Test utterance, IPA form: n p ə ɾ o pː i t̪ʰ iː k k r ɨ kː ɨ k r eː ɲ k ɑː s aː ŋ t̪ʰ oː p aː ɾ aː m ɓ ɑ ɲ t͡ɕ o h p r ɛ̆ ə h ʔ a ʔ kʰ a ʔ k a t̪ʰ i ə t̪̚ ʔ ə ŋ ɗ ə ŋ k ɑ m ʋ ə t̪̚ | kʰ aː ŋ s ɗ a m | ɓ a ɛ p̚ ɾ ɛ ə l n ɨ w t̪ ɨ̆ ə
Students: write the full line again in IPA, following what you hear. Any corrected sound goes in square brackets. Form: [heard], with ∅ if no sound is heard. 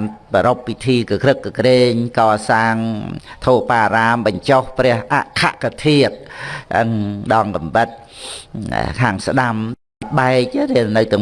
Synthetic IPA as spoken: n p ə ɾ o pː i t̪ʰ iː k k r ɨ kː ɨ k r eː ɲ k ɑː s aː ŋ t̪ʰ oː p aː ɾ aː m ɓ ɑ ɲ t͡ɕ o h p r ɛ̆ ə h ʔ a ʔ kʰ a ʔ k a t̪ʰ i ə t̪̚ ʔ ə ŋ ɗ [ɑ] ŋ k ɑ m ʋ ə t̪̚ | kʰ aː ŋ s ɗ a m | ɓ a ɛ [k̚] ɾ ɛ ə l n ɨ w t̪ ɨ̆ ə